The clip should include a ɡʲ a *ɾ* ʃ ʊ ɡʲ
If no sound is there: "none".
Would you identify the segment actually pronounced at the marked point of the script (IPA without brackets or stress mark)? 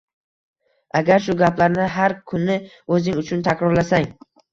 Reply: ɾ